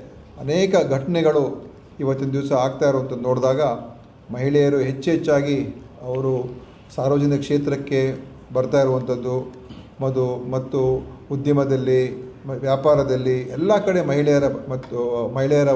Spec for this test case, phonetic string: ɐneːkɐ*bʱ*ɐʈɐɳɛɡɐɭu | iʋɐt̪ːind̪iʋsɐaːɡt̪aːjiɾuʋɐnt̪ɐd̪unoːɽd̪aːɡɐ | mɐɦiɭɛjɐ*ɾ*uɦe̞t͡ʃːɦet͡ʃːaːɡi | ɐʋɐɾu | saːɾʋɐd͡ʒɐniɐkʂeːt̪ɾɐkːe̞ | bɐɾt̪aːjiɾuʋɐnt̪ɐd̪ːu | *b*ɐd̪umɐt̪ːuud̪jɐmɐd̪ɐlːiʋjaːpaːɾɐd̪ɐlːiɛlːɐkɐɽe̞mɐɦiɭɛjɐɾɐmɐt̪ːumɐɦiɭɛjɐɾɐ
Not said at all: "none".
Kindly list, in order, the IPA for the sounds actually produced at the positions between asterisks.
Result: ɡʱ, ɾ, m

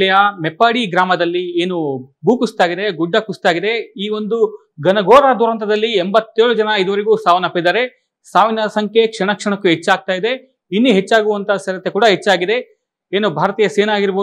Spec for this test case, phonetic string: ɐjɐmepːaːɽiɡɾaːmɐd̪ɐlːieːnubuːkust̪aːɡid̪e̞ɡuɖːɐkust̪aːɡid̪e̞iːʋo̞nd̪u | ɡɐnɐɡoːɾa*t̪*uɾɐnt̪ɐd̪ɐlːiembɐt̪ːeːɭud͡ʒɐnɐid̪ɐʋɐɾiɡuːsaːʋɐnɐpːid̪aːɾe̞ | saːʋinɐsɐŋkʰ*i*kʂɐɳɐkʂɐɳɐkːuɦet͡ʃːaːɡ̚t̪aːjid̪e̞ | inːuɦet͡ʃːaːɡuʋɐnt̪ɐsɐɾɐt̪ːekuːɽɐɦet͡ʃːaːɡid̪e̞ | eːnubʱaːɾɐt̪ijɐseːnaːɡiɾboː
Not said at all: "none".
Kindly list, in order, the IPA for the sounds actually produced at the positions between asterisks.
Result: d̪, e

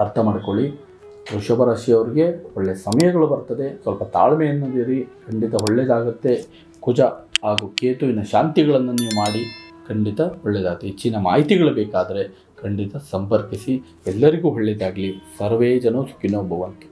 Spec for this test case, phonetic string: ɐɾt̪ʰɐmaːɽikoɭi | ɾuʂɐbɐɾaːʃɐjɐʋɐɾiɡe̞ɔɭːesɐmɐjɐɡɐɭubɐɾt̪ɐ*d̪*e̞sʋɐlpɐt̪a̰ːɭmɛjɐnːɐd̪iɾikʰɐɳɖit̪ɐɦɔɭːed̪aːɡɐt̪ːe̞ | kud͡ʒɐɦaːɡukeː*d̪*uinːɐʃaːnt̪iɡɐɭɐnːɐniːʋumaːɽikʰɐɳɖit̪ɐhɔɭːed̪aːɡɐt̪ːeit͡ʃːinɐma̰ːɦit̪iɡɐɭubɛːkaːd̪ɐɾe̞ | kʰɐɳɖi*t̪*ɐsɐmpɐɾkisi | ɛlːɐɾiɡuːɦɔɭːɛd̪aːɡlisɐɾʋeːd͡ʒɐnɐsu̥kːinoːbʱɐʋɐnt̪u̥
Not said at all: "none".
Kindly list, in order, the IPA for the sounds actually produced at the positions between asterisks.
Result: d̪, t̪, t̪

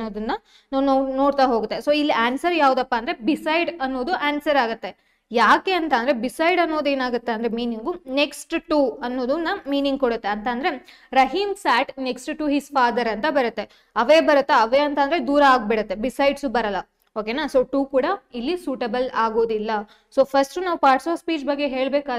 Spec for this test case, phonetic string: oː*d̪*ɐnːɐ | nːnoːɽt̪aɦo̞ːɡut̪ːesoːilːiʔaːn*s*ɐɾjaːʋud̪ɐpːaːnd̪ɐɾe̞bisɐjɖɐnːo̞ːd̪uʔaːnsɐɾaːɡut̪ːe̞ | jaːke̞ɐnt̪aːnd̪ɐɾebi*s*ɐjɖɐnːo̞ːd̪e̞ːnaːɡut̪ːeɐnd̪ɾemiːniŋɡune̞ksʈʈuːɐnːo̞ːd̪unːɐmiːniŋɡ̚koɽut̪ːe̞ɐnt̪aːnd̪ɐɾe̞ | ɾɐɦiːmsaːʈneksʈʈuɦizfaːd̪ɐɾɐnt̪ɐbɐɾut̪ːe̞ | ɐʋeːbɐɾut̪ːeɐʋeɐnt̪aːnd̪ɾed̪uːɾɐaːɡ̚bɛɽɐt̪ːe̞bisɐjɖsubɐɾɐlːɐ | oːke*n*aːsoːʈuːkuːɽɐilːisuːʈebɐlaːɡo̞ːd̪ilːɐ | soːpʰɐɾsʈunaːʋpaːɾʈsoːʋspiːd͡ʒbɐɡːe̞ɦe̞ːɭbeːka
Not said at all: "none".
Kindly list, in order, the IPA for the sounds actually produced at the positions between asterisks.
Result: d̪, s, s, n

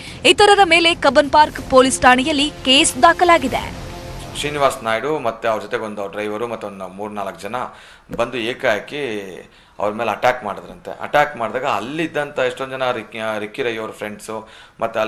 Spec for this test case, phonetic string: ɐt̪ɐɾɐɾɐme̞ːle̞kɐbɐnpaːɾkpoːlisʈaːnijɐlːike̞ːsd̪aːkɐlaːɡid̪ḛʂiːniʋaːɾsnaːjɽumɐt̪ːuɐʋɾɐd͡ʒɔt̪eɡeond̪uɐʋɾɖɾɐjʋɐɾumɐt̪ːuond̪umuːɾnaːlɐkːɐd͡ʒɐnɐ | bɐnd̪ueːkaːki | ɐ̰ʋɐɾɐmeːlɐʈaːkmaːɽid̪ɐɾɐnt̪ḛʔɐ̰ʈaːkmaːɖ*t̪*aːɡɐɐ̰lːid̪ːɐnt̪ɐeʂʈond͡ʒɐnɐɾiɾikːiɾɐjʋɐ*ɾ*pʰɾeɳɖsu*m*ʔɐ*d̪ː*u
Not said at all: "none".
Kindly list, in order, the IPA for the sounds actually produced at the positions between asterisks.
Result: d̪, ɾ, m, t̪ː

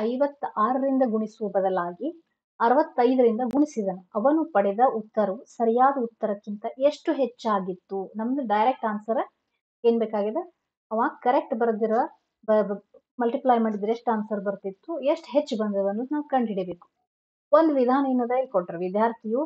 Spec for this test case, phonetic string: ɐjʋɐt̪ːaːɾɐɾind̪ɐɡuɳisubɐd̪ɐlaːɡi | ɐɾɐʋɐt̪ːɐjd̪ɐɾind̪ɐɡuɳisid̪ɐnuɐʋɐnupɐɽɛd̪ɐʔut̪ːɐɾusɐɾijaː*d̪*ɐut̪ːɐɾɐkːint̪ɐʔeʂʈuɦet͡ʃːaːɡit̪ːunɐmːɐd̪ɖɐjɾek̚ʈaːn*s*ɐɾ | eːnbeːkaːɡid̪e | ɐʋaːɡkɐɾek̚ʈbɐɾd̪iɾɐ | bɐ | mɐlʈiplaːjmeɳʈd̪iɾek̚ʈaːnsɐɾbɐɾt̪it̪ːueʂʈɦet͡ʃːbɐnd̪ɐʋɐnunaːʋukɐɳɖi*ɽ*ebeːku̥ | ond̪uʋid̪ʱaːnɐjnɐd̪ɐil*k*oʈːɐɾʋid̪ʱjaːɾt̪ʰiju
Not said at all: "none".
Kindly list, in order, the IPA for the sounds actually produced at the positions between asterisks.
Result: d̪, s, ɽ, k

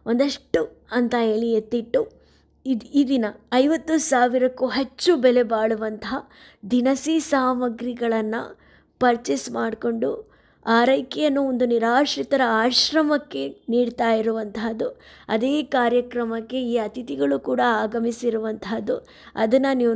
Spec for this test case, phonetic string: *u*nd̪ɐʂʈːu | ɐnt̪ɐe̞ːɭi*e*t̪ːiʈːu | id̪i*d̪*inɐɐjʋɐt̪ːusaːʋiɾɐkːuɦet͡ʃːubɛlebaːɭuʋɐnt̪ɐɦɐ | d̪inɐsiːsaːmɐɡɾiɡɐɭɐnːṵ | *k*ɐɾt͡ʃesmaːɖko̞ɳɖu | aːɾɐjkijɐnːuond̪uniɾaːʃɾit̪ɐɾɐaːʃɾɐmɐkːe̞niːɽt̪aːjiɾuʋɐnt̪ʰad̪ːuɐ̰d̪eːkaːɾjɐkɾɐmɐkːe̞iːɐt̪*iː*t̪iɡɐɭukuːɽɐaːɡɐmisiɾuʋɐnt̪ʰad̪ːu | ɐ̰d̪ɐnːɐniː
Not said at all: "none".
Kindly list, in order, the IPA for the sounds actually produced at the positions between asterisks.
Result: o, e, d̪, p, i

